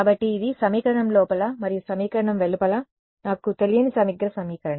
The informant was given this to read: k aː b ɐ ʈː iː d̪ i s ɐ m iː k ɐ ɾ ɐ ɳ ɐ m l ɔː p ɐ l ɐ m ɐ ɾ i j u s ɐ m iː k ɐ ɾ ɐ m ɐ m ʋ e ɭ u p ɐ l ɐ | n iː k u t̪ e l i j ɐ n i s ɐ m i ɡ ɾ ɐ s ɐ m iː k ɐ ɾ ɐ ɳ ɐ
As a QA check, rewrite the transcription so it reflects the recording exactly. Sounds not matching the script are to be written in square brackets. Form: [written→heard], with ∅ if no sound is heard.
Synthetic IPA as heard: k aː b ɐ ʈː iː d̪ i s ɐ m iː k ɐ ɾ ɐ ɳ ɐ m l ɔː p ɐ l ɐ m ɐ ɾ i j u s ɐ m iː k ɐ ɾ ɐ [m→ɳ] ɐ m ʋ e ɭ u p ɐ l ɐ | n [iː→aː] k u t̪ e l i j ɐ n i s ɐ m i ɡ ɾ ɐ s ɐ m iː k ɐ ɾ ɐ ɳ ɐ